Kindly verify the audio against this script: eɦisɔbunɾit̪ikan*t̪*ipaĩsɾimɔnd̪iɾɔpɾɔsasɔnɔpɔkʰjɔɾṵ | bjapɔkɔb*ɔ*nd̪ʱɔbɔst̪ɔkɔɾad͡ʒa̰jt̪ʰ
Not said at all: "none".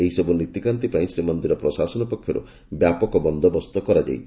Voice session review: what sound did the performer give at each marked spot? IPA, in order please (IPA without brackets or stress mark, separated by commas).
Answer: t̪, ɔ